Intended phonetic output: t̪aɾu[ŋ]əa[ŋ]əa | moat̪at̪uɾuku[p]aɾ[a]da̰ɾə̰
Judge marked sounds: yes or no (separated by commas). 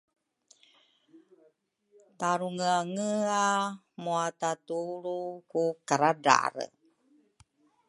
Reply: yes, yes, no, yes